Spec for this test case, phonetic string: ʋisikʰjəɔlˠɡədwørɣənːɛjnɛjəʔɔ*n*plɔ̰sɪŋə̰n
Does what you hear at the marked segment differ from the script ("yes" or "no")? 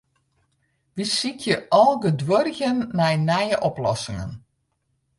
yes